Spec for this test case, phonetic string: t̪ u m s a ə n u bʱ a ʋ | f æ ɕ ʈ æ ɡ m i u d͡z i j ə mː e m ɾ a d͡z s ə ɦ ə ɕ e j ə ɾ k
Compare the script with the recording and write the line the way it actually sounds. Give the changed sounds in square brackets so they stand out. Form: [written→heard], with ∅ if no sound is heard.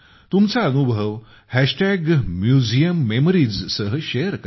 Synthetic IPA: t̪ u m [s→t͡s] a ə n u bʱ [a→ə] ʋ | [f→h] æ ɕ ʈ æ ɡ m [i→j] u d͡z i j ə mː e m ɾ [a→i] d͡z s ə ɦ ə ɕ e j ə ɾ k